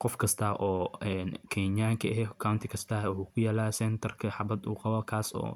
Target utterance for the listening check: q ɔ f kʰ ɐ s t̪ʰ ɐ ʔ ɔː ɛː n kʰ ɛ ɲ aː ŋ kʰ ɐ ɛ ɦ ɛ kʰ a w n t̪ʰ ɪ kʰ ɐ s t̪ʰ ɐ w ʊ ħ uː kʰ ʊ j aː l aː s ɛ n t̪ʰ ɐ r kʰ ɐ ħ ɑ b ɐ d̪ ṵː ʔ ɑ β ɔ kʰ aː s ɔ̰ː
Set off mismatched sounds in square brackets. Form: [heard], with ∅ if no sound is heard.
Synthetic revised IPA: q ɔ f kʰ ɐ s t̪ʰ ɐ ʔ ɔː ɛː n kʰ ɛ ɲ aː ŋ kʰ ɐ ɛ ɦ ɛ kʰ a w n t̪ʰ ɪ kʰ ɐ s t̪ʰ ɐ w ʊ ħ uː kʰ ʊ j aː l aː s ɛ n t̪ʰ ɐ r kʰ ɐ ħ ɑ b ɐ d̪ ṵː [q] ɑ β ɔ kʰ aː s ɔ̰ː